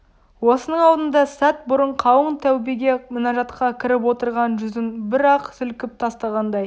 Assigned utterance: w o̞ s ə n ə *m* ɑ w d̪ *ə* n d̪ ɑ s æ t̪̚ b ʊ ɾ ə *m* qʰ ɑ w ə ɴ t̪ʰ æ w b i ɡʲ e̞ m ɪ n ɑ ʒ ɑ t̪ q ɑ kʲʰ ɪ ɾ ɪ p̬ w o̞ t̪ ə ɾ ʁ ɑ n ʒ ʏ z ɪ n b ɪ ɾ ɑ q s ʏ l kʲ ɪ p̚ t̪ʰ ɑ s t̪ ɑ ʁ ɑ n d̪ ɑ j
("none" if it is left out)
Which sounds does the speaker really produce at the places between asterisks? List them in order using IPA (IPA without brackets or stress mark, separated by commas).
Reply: ɴ, ə, ɴ